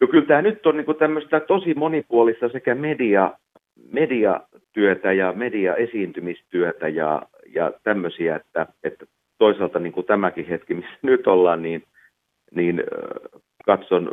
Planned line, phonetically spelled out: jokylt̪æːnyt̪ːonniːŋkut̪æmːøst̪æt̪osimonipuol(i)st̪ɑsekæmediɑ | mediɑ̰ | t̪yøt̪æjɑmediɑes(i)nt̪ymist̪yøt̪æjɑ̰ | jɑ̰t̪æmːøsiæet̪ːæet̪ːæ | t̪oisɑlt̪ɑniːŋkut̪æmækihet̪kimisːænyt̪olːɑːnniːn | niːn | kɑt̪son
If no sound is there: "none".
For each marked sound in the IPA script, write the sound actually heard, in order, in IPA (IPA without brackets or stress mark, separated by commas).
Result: i, iː